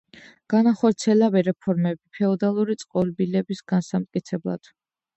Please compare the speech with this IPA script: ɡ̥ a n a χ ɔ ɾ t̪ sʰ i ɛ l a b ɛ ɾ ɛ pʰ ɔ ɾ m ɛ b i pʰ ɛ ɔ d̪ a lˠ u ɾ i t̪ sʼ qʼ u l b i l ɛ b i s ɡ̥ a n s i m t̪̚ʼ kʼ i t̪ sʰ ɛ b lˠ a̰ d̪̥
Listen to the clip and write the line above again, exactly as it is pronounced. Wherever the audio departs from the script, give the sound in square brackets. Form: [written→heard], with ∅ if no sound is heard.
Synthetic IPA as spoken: ɡ̥ a n a χ ɔ ɾ t̪ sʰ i ɛ l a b ɛ ɾ ɛ pʰ ɔ ɾ m ɛ b i pʰ ɛ ɔ d̪ a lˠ u ɾ i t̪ sʼ qʼ [u→ɔ] l b i l ɛ b i s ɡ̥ a n s [i→a] m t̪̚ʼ kʼ i t̪ sʰ ɛ b lˠ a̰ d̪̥

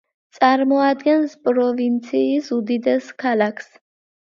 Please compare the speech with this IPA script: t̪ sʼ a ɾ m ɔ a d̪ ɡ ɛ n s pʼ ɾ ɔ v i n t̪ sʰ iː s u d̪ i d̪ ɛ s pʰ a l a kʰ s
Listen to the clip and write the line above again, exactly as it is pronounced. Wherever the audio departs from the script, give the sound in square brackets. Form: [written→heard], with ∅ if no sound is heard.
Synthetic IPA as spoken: t̪ sʼ a ɾ m ɔ a d̪ ɡ ɛ n s pʼ ɾ ɔ v i n t̪ sʰ iː s u d̪ i d̪ ɛ s [pʰ→kʰ] a l a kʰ s

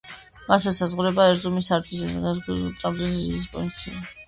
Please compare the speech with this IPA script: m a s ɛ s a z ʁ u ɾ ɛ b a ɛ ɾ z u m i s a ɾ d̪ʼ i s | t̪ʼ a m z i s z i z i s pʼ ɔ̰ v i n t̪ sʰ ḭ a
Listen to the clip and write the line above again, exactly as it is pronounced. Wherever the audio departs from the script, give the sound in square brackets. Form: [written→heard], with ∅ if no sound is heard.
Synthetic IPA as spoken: m a s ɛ s a z ʁ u ɾ ɛ b a ɛ ɾ z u m i s a ɾ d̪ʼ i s | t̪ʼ a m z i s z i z i s pʼ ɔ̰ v i n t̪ sʰ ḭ a

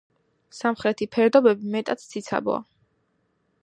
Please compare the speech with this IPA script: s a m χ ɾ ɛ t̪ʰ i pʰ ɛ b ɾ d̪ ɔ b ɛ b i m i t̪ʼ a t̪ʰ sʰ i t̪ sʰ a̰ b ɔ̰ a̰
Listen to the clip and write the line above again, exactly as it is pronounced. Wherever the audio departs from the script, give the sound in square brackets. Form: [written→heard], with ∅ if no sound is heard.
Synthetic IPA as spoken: s a m χ ɾ ɛ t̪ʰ i pʰ ɛ [b→∅] ɾ d̪ ɔ b ɛ b i m [i→ɛ] t̪ʼ a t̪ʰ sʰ i t̪ sʰ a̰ b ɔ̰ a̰

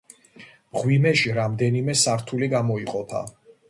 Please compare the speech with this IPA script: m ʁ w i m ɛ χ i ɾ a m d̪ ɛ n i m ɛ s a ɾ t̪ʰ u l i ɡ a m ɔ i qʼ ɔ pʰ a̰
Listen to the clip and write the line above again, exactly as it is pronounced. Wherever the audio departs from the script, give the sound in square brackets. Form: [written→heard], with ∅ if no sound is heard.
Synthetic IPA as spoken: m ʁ w i m ɛ [χ→ʃ] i ɾ a m d̪ ɛ n i m ɛ s a ɾ t̪ʰ u l i ɡ a m ɔ i qʼ ɔ pʰ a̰

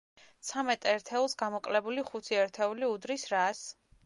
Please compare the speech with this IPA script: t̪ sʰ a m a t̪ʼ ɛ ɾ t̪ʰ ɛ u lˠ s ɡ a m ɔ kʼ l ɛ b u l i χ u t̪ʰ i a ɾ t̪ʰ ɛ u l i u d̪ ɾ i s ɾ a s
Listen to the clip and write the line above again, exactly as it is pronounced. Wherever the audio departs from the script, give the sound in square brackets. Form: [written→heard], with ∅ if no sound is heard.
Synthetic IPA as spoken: t̪ sʰ a m [a→ɛ] t̪ʼ ɛ ɾ t̪ʰ ɛ u lˠ s ɡ a m ɔ kʼ l ɛ b u l i χ u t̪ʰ i [a→ɛ] ɾ t̪ʰ ɛ u l i u d̪ ɾ i s ɾ a s

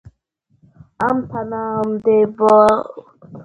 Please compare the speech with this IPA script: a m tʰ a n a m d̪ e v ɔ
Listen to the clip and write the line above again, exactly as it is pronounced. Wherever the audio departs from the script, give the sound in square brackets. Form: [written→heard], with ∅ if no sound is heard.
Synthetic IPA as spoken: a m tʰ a n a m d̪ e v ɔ

